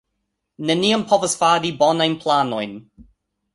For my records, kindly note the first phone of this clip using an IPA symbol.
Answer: n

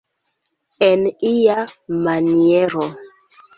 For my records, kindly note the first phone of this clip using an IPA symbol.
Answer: e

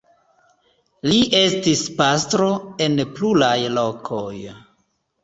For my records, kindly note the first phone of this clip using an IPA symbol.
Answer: l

